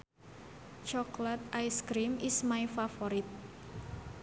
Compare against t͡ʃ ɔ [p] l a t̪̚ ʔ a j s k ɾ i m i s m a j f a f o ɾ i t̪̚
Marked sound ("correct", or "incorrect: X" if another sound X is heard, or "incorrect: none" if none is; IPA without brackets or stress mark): incorrect: k